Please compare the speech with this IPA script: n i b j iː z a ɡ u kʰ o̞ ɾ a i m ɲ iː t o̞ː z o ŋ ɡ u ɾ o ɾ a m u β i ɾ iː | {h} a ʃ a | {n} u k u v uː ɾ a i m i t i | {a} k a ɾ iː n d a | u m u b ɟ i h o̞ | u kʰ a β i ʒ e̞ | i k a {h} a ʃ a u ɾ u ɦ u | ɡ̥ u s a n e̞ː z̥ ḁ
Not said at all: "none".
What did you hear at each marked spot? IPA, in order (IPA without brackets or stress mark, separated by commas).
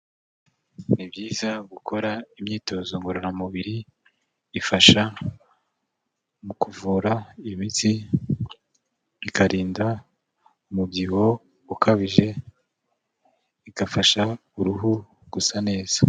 f, m, i, f